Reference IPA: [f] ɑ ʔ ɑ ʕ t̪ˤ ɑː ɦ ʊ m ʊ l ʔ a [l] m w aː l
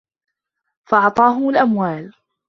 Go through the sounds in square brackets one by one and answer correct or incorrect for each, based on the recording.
correct, incorrect

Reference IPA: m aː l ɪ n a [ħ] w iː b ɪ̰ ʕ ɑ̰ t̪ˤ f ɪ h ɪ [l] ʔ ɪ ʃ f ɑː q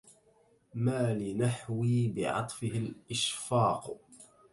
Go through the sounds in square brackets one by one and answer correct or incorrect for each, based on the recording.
correct, correct

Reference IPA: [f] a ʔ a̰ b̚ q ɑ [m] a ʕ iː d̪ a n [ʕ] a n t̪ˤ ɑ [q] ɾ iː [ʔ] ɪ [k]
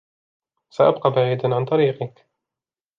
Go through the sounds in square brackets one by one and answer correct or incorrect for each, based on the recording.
incorrect, incorrect, correct, incorrect, incorrect, correct

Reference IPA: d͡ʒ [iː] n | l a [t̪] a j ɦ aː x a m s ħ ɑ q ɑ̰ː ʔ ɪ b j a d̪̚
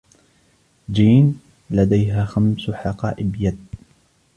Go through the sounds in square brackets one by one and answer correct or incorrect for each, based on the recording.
correct, incorrect

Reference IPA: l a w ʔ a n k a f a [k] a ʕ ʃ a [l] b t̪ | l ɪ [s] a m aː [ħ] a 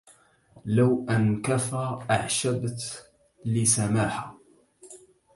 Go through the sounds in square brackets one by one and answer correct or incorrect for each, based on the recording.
incorrect, incorrect, correct, correct

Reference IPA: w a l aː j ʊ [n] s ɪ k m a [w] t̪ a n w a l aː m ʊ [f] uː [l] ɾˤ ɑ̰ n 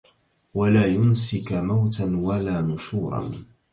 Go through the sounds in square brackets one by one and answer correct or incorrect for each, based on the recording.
correct, correct, incorrect, incorrect

